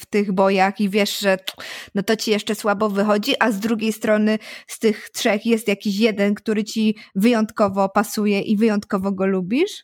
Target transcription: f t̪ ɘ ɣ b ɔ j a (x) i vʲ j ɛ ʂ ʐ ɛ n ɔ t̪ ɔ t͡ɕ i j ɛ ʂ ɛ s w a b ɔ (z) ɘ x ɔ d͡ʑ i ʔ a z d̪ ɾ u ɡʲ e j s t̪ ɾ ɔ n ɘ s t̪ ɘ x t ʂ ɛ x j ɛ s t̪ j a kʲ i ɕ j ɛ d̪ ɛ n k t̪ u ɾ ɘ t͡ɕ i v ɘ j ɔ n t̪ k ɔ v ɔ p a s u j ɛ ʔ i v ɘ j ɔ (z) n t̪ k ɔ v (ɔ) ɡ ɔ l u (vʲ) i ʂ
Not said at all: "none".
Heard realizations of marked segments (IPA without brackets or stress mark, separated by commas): x, v, none, ɔ, bʲ